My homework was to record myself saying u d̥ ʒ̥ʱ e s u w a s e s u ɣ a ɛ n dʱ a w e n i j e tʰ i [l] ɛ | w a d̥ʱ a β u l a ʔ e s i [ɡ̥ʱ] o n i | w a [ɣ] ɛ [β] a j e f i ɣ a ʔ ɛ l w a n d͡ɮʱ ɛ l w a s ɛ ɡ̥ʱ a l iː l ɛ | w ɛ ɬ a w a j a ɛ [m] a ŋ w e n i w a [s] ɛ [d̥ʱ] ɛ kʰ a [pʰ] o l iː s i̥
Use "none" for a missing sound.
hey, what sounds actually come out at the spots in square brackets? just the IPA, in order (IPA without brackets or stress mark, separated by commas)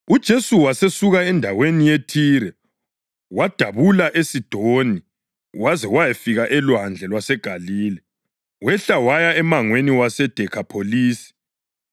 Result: ɾ, d̥ʱ, z, w, m, s, d̥ʱ, pʰ